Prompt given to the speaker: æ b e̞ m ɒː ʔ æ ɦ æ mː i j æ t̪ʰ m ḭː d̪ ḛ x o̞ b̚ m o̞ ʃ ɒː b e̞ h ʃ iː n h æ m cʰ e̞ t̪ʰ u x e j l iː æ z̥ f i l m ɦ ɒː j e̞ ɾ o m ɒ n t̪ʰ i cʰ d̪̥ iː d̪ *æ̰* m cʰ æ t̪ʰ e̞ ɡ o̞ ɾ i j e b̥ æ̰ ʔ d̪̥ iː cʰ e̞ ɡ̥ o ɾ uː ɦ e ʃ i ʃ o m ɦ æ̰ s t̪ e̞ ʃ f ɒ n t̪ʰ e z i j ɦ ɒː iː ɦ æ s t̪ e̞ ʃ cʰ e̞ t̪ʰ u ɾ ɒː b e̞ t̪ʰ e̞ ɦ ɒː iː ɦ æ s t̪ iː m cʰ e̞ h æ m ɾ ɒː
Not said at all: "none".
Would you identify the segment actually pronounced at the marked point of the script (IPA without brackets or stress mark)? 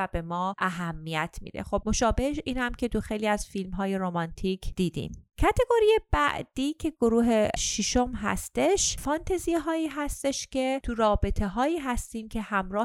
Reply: ḭ